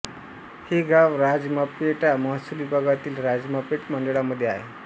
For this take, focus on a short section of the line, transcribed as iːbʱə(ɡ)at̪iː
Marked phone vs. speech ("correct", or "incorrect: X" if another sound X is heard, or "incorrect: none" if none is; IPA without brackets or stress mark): correct